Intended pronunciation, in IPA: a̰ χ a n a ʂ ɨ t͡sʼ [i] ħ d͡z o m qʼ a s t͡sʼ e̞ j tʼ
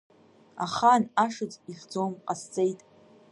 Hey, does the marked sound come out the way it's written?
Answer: yes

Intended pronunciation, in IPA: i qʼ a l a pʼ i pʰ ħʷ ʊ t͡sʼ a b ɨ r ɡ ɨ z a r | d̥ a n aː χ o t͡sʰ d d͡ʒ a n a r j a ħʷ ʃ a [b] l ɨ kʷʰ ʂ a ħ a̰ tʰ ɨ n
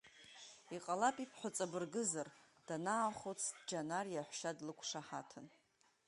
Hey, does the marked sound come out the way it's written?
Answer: no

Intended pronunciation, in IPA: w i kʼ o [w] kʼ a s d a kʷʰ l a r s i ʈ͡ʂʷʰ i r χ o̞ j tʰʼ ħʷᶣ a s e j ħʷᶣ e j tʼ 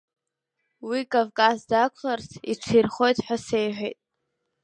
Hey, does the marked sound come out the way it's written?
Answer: no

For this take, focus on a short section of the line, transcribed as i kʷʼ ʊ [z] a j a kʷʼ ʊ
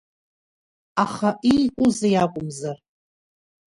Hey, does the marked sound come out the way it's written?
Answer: yes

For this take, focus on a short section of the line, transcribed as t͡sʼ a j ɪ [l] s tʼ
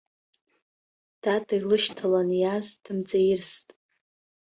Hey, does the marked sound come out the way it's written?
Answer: no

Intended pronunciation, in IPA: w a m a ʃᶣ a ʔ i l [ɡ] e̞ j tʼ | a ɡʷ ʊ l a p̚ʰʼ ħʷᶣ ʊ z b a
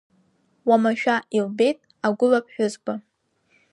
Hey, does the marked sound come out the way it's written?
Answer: no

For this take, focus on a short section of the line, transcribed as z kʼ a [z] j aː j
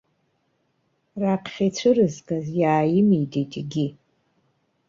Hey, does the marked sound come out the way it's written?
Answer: yes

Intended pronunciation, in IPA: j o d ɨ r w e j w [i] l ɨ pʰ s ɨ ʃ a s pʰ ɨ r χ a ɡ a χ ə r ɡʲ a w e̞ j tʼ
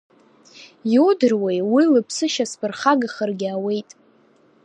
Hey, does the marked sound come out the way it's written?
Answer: yes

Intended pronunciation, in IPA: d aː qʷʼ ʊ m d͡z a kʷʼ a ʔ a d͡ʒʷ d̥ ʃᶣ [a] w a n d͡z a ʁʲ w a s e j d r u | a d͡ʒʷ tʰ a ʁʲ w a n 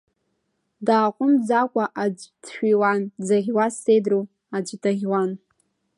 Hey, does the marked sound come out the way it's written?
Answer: no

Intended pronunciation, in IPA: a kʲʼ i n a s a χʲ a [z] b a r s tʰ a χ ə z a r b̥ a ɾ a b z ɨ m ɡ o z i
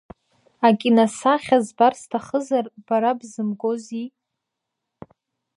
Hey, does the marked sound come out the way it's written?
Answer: yes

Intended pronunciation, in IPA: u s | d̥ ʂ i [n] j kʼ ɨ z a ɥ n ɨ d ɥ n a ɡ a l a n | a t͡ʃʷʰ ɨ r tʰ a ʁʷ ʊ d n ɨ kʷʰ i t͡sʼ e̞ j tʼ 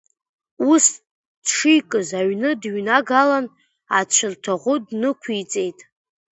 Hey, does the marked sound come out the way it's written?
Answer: no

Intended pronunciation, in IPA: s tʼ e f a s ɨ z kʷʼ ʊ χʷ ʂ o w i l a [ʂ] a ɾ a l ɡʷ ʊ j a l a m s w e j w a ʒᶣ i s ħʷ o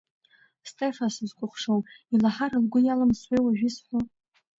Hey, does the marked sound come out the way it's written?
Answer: no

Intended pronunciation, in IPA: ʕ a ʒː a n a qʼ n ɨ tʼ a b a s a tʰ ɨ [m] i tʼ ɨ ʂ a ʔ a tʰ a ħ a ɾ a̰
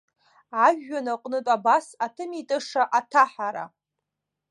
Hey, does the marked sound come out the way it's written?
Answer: yes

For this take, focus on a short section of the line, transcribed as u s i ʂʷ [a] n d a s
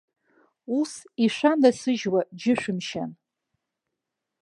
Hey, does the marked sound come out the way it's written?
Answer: yes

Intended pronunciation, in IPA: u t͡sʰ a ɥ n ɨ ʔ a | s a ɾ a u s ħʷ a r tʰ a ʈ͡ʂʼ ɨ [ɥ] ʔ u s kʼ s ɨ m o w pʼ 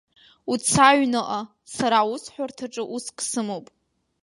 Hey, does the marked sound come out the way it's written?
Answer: no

